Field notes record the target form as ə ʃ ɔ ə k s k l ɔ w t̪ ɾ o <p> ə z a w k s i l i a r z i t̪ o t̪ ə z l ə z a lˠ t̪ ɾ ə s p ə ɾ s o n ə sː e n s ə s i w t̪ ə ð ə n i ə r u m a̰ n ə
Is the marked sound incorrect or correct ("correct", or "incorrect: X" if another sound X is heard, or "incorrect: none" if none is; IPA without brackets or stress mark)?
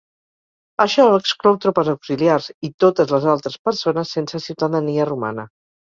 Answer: correct